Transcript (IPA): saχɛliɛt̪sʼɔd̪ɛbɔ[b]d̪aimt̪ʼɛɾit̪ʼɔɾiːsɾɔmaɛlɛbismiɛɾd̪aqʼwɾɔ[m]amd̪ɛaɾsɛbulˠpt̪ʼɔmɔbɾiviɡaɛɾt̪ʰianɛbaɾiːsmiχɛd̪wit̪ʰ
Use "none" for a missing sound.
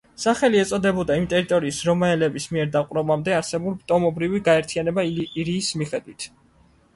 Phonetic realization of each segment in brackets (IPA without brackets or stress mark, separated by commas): none, b